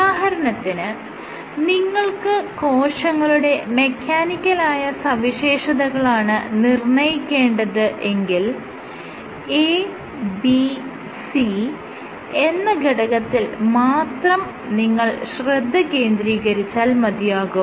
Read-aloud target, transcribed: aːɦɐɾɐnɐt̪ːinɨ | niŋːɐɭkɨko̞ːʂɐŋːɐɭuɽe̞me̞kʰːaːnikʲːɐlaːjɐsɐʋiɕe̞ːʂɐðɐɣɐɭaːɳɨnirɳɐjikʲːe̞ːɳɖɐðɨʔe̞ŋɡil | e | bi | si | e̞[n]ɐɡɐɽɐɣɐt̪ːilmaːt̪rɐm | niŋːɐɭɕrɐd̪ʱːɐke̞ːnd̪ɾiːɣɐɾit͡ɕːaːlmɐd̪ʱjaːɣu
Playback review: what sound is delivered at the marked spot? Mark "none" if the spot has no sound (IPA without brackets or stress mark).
nː